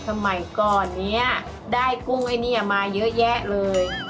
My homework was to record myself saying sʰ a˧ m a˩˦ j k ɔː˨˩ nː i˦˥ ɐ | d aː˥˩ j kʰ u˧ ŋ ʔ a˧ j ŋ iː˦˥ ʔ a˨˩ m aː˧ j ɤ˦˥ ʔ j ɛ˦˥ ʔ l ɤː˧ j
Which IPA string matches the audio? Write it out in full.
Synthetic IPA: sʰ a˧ m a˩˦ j k ɔː˨˩ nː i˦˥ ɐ | d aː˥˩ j k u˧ ŋ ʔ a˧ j n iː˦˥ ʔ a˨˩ m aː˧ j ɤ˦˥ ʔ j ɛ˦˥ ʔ l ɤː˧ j